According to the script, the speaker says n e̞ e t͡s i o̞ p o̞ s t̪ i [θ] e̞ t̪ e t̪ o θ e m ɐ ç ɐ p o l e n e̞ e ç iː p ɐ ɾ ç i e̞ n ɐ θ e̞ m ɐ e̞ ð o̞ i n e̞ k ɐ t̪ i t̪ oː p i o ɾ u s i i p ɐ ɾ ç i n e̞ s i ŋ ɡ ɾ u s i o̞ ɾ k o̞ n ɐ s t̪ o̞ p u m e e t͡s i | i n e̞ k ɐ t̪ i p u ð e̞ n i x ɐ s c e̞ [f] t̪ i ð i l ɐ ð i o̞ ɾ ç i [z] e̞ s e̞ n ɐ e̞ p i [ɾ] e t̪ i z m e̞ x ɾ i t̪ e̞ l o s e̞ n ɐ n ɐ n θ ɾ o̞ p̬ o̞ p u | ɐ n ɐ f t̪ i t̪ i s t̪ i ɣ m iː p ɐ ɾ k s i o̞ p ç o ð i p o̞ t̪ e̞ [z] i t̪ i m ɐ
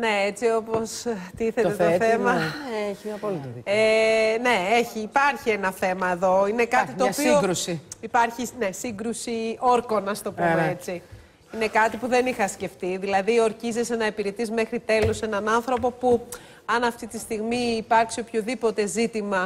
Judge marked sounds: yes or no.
yes, yes, yes, yes, yes

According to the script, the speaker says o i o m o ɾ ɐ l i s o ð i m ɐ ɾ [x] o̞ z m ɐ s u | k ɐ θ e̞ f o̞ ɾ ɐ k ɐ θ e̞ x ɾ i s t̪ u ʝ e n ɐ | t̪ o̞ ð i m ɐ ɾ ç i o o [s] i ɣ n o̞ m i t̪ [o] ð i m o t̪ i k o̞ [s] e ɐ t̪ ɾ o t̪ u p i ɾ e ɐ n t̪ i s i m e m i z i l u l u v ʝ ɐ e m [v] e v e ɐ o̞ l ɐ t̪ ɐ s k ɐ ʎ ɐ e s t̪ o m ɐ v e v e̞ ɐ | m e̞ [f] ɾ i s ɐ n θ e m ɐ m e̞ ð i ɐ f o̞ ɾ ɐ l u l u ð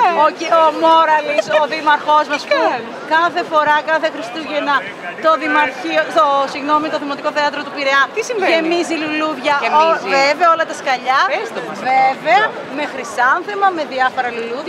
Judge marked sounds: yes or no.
yes, yes, yes, no, yes, no

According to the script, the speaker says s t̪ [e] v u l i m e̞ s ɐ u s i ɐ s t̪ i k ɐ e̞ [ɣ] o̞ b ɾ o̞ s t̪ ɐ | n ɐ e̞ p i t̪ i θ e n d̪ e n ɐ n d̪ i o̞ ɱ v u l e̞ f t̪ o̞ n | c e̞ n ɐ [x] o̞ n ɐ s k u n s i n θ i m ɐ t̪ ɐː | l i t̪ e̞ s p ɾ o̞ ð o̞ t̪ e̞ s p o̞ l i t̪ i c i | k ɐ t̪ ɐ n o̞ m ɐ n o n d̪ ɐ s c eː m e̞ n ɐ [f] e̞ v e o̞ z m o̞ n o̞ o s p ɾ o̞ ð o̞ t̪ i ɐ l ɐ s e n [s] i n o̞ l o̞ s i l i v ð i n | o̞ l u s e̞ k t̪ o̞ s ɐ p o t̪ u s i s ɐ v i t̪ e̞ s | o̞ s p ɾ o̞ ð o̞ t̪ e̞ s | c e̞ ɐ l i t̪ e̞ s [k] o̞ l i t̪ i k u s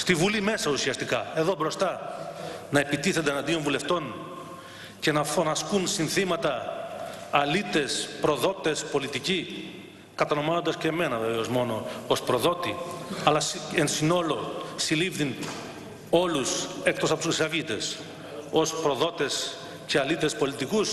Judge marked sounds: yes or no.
no, no, no, no, yes, no

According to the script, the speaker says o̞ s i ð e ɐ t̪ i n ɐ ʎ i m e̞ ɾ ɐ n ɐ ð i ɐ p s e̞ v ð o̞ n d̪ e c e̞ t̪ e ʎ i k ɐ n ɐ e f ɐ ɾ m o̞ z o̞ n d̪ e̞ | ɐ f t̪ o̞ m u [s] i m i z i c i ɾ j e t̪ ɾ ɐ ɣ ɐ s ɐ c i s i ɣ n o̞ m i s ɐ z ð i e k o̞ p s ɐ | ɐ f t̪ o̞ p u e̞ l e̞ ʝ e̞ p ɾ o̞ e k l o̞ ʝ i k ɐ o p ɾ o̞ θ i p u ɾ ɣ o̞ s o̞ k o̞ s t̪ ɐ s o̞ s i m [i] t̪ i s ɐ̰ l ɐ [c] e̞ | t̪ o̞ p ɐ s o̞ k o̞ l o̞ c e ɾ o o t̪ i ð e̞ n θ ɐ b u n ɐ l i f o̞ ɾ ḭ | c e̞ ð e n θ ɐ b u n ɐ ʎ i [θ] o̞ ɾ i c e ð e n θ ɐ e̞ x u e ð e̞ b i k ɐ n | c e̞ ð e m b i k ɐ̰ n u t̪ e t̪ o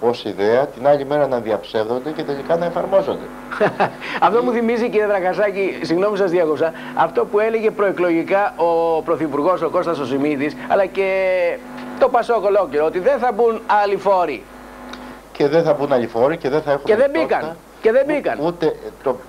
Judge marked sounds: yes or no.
no, yes, yes, no

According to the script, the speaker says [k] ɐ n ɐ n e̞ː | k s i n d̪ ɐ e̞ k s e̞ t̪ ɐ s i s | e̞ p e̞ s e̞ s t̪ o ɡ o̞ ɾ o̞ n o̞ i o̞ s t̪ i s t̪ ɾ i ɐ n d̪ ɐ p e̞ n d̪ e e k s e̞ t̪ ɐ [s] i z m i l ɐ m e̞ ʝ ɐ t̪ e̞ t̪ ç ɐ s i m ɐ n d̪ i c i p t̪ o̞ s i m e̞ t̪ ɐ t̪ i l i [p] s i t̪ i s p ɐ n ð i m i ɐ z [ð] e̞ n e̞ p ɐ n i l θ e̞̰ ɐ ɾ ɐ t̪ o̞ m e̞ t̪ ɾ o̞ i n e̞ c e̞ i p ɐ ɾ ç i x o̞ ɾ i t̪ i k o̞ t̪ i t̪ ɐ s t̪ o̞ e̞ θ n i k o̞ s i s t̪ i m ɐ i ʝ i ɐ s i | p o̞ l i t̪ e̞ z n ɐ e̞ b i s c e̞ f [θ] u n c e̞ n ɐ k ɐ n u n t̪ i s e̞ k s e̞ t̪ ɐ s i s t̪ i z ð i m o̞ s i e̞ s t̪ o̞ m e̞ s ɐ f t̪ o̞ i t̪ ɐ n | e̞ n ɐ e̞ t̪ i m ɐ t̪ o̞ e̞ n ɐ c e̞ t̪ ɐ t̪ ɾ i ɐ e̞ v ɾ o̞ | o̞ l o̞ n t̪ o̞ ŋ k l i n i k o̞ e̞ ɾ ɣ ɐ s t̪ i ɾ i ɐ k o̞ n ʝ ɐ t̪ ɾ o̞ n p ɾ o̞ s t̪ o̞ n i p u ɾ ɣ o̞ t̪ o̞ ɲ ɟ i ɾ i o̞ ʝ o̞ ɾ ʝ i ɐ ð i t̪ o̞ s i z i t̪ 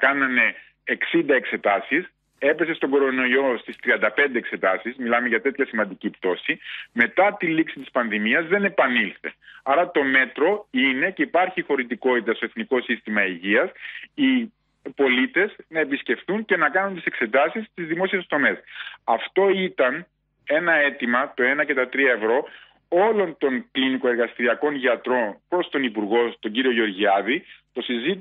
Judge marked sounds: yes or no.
yes, yes, no, yes, yes

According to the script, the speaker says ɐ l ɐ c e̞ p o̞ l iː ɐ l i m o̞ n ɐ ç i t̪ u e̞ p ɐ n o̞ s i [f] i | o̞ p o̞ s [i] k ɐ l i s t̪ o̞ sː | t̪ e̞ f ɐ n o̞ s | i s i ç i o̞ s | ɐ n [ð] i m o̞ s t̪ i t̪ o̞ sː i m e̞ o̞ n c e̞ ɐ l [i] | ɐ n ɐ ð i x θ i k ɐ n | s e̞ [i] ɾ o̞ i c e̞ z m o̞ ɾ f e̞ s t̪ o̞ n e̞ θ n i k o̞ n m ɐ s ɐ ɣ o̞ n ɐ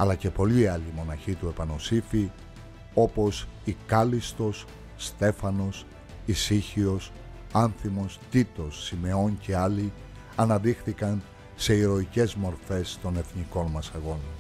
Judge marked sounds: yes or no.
yes, yes, no, yes, yes

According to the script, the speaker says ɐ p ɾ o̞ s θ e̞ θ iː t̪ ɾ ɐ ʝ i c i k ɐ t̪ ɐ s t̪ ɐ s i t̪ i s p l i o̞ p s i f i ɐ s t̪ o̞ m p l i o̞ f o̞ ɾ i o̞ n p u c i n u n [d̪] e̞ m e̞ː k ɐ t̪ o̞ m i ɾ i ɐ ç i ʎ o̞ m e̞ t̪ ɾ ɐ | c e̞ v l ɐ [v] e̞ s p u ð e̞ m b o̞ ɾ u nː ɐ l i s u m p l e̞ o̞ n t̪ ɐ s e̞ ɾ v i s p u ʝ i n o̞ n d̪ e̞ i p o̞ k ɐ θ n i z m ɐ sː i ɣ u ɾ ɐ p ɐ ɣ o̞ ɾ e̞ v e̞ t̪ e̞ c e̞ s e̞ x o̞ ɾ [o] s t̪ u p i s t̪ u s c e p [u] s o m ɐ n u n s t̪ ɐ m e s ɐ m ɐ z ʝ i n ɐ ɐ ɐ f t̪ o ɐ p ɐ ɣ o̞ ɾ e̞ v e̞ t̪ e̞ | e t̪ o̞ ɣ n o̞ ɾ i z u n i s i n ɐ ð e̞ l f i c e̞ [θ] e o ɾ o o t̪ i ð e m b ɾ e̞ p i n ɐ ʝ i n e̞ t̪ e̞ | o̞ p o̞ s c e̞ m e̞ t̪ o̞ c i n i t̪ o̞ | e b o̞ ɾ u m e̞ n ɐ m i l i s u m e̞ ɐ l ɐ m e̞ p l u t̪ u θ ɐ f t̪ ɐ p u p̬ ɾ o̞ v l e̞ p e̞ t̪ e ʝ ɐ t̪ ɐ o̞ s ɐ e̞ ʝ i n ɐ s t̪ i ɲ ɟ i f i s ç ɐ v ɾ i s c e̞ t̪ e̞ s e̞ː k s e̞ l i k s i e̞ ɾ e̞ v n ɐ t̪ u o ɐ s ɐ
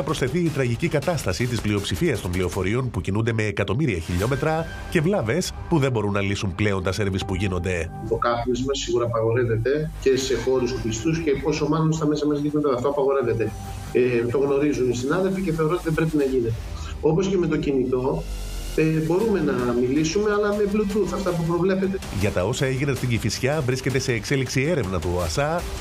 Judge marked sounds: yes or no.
yes, yes, no, no, yes

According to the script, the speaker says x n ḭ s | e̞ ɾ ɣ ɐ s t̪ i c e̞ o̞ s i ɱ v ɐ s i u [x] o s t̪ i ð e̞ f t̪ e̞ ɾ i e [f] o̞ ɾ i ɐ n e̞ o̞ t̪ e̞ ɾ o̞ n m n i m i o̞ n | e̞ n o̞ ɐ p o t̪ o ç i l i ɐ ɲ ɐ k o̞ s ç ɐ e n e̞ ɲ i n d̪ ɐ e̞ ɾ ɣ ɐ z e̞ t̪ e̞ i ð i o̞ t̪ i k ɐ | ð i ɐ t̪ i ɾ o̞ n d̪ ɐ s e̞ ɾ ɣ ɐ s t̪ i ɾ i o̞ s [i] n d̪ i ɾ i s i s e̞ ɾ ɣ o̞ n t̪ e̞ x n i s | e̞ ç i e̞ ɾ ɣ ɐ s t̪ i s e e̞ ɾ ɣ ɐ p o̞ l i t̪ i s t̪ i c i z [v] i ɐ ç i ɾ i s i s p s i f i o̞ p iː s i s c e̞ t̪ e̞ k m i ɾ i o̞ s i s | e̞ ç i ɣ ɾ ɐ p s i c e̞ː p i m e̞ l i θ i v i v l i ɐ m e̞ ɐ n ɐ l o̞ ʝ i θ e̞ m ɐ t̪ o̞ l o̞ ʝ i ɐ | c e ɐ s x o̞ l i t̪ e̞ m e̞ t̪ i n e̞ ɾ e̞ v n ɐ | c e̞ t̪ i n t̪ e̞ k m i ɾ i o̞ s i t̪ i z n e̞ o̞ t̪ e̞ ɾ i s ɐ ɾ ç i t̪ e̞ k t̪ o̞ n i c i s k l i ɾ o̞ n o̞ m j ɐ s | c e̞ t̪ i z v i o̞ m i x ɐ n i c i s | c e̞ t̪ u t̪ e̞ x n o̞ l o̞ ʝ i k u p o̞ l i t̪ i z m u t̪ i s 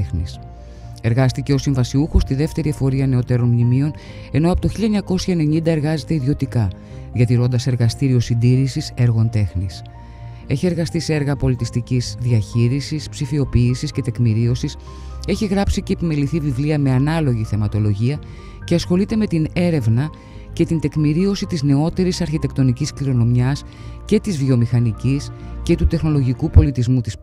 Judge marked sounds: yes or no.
yes, yes, yes, no

